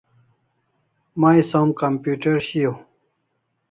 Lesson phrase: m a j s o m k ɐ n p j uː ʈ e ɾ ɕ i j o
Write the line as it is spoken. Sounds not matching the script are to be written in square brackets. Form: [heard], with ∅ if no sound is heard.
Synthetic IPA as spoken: m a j s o m k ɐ [m] p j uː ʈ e ɾ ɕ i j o